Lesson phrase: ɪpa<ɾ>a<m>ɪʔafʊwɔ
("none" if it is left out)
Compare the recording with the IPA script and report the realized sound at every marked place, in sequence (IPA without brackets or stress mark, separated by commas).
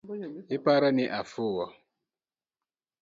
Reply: ɾ, n